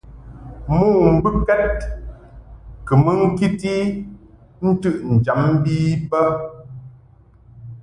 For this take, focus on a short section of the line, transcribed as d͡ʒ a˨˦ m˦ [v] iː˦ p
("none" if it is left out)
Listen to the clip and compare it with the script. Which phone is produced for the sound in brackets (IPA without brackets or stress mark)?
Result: b